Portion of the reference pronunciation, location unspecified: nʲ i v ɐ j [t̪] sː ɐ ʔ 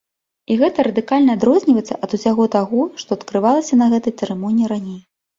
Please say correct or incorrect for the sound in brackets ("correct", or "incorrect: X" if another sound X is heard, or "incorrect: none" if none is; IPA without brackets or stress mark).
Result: correct